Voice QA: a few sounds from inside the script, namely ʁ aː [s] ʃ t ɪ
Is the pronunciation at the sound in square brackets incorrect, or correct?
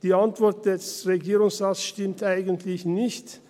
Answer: correct